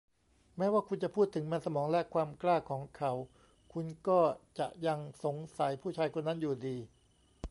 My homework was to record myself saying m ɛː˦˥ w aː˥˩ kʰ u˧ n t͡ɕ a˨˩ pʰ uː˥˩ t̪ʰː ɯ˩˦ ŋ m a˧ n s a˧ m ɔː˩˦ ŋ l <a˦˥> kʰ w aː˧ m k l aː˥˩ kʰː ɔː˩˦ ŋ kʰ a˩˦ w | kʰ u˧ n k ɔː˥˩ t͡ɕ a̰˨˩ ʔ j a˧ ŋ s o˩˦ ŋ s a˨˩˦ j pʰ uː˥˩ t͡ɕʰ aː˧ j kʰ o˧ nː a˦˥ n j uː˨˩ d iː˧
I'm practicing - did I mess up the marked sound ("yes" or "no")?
yes